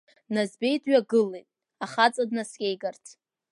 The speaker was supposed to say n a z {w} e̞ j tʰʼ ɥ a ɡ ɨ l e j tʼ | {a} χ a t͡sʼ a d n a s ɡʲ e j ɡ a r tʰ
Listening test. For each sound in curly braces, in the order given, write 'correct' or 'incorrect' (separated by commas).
incorrect, correct